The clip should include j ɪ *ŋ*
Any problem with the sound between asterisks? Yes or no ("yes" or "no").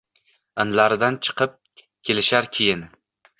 yes